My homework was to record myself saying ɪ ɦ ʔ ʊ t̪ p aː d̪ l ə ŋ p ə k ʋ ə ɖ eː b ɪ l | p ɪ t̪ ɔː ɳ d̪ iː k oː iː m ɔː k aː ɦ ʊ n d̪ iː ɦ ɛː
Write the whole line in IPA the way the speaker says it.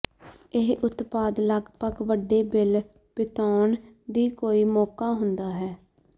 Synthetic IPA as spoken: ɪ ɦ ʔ ʊ t̪ p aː d̪ l ə ɡ p ə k ʋ ə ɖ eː b ɪ l | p ɪ t̪ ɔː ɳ d̪ iː k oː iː m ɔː k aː ɦ ʊ n d̪ aː ɦ ɛː